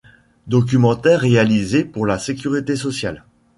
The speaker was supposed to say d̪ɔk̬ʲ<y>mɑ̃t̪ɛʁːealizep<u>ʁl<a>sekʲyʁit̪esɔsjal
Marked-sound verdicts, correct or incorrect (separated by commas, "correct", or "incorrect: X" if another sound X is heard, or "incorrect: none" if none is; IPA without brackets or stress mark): correct, correct, correct